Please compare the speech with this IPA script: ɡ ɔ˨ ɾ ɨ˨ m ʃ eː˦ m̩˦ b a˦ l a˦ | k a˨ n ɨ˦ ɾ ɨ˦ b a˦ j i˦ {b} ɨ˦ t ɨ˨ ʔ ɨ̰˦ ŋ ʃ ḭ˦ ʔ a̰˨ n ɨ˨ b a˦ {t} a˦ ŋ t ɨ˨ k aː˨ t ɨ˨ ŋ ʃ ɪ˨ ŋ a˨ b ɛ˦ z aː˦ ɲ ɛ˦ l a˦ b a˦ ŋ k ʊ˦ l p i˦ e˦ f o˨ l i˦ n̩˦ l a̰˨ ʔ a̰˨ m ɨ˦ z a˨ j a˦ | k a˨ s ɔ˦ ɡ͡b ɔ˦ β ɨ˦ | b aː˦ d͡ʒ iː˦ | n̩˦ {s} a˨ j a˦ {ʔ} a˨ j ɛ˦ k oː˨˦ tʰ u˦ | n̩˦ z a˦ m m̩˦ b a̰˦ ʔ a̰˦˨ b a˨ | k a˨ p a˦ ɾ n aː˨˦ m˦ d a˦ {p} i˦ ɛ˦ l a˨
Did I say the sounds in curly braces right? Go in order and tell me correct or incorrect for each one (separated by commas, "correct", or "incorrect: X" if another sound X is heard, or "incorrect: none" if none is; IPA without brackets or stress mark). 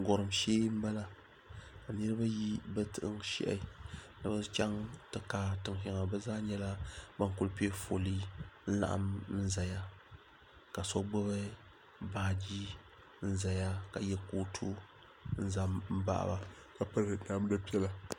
correct, incorrect: t͡ʃ, incorrect: z, incorrect: k, correct